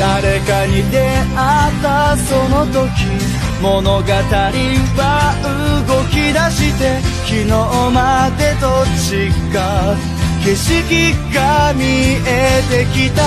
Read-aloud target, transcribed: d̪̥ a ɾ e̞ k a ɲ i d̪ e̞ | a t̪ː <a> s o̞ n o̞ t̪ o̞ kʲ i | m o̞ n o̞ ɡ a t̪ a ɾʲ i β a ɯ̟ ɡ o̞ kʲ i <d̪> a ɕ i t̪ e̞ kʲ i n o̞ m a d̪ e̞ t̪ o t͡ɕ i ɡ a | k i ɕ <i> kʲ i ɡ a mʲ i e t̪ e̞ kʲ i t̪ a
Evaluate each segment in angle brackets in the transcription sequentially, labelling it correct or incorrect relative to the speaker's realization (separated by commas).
correct, correct, correct